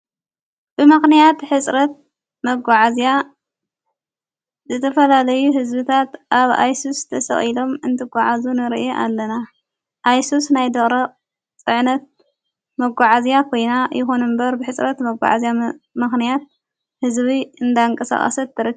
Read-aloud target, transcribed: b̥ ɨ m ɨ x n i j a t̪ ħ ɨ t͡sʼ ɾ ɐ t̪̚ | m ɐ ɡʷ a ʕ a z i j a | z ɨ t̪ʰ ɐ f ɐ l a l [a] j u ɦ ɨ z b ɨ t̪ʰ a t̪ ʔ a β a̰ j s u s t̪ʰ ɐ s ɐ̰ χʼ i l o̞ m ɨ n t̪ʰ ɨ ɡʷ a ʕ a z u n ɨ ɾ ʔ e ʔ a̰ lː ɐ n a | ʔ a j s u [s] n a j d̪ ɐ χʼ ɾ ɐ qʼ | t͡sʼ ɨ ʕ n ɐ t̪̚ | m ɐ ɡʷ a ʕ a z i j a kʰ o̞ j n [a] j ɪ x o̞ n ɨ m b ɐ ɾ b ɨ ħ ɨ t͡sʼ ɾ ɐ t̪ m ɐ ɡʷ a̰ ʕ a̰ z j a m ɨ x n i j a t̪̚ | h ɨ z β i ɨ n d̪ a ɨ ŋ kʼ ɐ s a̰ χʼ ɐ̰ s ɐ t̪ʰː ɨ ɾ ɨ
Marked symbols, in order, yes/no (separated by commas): no, yes, yes